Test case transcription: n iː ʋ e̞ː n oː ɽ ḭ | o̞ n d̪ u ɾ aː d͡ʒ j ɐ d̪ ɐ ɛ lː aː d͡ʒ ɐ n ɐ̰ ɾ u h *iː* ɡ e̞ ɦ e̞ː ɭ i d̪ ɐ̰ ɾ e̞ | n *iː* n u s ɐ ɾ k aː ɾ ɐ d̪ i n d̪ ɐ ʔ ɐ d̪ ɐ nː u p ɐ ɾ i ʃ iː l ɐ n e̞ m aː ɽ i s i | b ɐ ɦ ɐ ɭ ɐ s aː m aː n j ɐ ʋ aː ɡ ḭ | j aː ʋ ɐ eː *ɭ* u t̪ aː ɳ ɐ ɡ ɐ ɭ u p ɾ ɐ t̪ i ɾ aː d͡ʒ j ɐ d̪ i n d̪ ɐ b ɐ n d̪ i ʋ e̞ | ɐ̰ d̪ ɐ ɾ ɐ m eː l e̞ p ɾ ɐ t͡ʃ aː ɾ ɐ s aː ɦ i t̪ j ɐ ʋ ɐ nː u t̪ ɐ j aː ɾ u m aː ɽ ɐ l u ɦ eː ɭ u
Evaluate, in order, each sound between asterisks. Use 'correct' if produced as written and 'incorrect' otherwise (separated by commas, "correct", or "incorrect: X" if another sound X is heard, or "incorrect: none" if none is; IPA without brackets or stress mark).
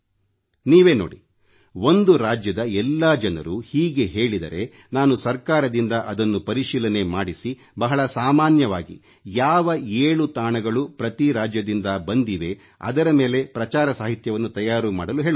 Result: correct, incorrect: aː, correct